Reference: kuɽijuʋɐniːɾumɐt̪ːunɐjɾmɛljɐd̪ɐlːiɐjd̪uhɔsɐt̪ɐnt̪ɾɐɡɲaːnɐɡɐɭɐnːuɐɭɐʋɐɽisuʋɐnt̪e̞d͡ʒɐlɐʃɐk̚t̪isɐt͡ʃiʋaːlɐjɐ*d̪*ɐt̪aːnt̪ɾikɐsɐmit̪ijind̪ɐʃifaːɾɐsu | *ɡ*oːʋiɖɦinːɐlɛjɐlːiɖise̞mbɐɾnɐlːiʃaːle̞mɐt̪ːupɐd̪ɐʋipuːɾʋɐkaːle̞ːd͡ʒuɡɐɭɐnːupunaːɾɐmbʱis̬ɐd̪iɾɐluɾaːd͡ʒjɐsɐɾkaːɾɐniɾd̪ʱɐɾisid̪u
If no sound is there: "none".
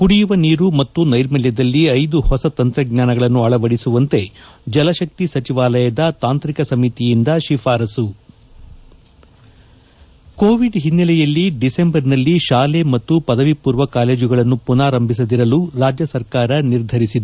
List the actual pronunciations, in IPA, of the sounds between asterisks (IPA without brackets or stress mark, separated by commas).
d̪, k